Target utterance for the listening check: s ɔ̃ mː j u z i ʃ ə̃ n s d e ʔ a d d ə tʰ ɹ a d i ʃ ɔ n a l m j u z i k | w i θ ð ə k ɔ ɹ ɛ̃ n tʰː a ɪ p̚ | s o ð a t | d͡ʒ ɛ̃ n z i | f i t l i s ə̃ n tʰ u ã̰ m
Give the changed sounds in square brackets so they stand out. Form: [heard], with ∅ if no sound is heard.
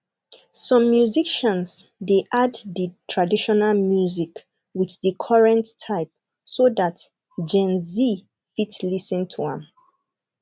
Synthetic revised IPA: s ɔ̃ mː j u z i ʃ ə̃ n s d e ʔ a d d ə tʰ ɹ a d i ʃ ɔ n a l m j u z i k | w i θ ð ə [kʰ] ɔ ɹ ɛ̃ n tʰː a ɪ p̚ | s o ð a t | d͡ʒ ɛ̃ n z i | f i t l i s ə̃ n tʰ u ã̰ m